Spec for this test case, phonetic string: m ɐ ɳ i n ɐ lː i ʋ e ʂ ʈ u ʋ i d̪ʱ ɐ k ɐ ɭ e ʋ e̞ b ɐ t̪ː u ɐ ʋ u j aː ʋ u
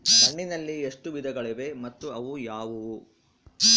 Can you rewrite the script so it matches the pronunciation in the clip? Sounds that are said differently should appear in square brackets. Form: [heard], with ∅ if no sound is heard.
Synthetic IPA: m ɐ [ɳː] i n ɐ lː i [∅] e ʂ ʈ u ʋ i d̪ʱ ɐ [ɡ] ɐ ɭ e ʋ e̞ [m] ɐ t̪ː u ɐ ʋ u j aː ʋ u